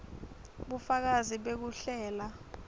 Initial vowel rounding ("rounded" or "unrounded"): rounded